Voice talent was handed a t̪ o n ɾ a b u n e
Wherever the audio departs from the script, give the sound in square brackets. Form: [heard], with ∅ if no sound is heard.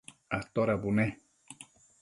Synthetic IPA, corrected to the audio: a t̪ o [∅] ɾ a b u n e